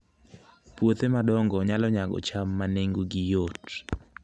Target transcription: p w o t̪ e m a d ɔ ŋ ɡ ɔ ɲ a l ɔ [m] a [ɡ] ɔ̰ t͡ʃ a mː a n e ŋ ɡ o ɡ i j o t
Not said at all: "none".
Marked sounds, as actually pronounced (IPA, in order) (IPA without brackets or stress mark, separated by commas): ɲ, ɡ